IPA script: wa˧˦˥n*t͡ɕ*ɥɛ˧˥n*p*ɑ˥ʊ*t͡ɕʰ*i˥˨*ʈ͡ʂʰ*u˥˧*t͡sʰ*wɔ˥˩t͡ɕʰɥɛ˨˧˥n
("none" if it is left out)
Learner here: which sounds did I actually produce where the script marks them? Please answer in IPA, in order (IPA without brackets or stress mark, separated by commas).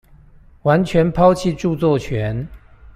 t͡ɕʰ, pʰ, t͡ɕʰ, ʈ͡ʂ, t͡s